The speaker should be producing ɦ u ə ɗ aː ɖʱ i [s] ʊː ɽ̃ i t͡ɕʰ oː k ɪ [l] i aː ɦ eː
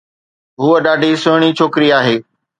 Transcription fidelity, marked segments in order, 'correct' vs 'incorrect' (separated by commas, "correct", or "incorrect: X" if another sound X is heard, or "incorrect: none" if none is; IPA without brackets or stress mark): correct, incorrect: ɾ